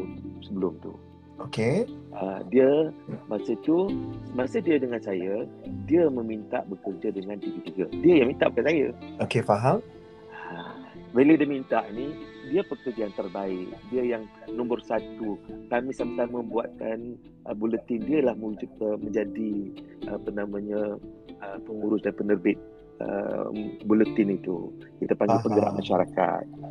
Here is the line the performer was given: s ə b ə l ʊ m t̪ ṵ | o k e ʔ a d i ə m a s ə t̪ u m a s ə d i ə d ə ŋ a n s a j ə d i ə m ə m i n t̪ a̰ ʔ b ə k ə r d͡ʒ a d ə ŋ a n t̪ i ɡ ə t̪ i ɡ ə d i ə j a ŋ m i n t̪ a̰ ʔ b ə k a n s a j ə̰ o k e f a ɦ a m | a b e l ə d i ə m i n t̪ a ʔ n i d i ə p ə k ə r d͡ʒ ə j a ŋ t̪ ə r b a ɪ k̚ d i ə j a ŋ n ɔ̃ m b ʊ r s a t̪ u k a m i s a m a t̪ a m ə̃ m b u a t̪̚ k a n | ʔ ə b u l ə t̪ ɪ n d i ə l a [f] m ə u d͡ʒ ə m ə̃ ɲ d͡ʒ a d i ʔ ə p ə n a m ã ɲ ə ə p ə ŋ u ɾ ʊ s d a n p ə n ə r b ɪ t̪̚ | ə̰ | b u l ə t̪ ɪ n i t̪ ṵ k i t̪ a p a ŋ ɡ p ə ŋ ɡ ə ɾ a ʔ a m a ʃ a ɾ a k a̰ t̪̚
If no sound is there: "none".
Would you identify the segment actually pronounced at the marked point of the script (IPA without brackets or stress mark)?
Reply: h